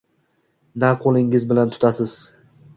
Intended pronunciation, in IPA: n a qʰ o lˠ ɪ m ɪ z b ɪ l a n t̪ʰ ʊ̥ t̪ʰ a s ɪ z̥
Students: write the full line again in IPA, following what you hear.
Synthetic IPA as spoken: n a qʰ o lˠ ɪ ŋ ɪ z b ɪ l a n t̪ʰ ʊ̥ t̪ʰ a s ɪ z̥